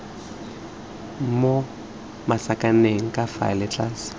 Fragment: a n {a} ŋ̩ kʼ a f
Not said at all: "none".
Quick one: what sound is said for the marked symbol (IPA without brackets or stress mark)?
e